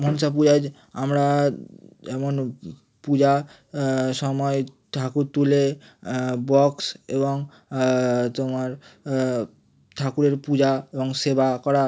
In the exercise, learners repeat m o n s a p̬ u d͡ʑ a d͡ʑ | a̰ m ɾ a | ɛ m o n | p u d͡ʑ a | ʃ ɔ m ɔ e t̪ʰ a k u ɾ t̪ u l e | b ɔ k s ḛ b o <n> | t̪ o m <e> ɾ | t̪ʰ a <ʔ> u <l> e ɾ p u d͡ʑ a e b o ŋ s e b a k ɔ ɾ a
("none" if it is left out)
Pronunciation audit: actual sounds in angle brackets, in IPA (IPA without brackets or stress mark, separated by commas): ŋ, a, k, ɾ